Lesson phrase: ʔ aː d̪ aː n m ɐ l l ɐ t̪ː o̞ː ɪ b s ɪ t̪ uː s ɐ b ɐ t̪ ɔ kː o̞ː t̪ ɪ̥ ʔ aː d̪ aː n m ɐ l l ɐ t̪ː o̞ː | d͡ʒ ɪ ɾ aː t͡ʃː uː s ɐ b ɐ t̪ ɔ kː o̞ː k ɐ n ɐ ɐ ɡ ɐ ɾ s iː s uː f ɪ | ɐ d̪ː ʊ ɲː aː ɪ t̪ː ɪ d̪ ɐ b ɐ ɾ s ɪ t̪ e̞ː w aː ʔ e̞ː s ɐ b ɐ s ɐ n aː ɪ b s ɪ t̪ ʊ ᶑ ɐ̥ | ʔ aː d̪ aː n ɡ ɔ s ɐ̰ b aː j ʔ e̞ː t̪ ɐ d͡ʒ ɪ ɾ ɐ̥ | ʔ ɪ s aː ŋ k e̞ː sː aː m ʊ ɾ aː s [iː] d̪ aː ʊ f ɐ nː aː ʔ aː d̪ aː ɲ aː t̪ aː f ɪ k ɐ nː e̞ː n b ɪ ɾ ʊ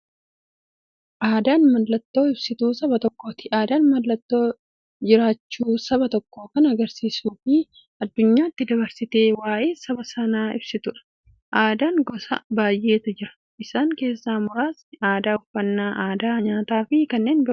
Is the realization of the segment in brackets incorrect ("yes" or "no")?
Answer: yes